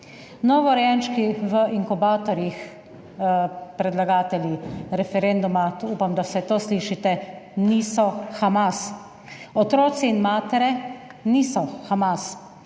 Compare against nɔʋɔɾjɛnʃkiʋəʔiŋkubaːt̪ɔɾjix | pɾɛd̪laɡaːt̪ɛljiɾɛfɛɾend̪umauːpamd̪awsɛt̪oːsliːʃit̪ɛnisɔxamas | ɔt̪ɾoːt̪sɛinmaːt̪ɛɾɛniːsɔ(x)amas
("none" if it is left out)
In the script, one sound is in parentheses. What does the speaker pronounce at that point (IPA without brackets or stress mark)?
x